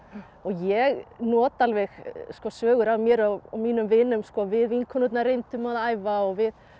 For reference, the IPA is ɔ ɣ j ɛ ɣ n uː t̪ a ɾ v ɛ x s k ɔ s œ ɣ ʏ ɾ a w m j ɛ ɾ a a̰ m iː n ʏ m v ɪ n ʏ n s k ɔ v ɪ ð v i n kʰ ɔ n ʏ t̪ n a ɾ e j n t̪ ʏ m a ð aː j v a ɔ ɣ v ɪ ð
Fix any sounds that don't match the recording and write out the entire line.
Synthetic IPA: ɔ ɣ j ɛ ɣ n ɔː t̪ a l v ɛ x s k ɔ s œː ɣ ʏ ɾ a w m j ɛ ɾ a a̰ m iː n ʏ m v ɪ n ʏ m s k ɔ v ɪ ð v i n kʰ ɔ n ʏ t̪ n a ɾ e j n t̪ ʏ m a ð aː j v a ɔ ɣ v ɪ ð